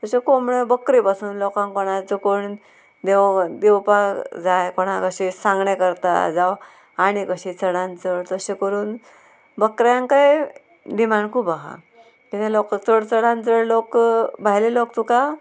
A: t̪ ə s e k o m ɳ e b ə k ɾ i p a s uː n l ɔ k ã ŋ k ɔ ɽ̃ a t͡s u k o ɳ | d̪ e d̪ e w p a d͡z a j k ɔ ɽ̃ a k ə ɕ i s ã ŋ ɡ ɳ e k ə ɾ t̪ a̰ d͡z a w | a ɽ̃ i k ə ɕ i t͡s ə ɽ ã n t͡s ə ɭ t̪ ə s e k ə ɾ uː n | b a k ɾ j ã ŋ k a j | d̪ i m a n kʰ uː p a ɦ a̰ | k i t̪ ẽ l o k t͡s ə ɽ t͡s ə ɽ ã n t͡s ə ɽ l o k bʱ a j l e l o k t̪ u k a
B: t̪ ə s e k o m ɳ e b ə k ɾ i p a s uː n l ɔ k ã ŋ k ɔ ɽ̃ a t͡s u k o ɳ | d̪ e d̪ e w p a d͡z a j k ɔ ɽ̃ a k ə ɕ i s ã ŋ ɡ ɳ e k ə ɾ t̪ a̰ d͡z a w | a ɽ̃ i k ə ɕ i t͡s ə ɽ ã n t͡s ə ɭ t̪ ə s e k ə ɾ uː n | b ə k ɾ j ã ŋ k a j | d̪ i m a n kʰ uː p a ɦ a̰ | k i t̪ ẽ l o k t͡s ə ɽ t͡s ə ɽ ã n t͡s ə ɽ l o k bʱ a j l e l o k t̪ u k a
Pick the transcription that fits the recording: B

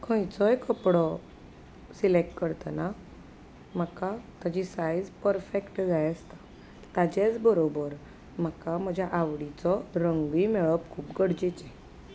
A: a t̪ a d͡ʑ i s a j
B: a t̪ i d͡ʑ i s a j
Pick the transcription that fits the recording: A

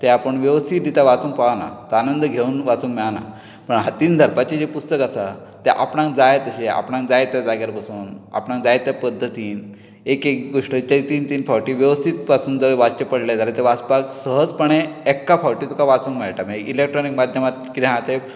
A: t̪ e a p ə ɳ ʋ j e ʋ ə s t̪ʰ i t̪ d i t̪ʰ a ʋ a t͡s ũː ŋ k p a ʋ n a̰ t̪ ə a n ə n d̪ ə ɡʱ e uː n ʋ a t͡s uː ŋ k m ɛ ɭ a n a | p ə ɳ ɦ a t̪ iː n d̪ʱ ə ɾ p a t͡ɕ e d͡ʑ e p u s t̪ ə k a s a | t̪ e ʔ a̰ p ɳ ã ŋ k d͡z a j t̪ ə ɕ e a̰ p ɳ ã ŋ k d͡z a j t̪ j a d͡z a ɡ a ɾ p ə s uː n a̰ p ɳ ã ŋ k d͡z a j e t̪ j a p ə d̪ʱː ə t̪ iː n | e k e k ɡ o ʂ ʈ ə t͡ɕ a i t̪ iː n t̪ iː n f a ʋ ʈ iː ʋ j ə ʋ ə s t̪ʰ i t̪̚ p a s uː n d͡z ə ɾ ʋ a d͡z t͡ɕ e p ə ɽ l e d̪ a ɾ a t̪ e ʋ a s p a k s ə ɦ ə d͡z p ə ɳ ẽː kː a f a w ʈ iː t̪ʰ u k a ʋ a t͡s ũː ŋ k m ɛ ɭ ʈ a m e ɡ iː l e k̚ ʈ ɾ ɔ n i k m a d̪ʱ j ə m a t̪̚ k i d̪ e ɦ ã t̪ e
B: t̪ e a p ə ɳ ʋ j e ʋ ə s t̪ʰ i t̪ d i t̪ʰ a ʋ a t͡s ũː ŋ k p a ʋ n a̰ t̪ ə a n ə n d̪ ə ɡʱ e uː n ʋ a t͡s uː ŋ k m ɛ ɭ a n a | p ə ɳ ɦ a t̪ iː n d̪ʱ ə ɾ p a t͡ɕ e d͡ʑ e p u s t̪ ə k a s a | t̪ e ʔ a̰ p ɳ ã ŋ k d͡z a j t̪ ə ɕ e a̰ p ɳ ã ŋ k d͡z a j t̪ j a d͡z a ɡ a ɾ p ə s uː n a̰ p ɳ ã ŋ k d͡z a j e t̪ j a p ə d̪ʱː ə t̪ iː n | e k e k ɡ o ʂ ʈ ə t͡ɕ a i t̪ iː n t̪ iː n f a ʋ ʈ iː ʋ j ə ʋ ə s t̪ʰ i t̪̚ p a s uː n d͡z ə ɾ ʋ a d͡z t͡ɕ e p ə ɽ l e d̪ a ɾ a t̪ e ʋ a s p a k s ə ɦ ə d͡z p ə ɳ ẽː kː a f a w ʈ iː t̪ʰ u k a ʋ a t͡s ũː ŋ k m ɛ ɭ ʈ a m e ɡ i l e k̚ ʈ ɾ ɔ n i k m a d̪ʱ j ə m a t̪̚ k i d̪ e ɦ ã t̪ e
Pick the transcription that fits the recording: B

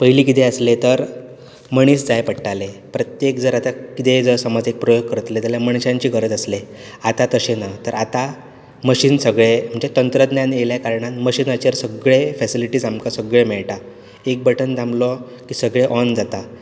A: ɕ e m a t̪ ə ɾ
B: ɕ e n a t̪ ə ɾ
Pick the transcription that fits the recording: B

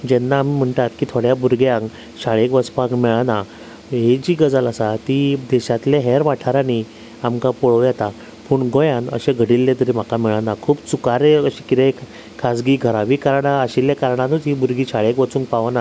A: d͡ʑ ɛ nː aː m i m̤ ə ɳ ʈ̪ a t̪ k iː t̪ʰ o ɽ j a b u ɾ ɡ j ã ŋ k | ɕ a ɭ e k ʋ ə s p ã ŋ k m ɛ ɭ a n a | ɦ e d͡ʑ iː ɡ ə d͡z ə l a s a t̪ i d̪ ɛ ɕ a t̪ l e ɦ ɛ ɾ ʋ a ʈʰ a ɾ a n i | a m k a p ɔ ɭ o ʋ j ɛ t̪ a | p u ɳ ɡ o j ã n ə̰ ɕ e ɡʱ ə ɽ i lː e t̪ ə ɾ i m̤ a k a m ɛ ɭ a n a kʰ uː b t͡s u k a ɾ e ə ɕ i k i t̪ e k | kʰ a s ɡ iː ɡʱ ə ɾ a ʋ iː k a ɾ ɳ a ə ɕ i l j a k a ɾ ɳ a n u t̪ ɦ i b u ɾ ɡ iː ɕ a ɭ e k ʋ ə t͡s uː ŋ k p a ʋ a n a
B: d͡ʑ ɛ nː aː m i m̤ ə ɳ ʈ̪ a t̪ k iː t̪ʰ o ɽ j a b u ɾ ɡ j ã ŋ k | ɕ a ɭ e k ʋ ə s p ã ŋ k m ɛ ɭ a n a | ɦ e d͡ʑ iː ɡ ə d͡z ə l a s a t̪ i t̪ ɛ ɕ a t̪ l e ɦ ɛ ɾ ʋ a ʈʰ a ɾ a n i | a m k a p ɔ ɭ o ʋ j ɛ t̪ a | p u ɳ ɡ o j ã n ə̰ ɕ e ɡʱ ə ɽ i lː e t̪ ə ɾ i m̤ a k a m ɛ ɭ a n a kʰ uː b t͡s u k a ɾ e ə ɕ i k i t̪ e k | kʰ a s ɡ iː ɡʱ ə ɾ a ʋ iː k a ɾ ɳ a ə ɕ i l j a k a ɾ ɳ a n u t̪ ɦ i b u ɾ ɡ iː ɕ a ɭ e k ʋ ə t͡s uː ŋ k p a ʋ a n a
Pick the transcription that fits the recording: A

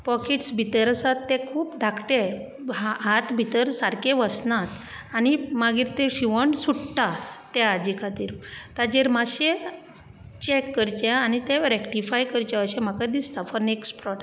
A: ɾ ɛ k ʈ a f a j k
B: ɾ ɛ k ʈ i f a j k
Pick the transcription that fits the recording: B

